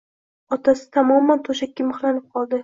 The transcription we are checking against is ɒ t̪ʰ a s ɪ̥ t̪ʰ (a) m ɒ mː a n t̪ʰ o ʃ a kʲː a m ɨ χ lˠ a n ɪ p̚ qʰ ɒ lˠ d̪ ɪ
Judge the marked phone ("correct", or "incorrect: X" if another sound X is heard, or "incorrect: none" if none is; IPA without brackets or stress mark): correct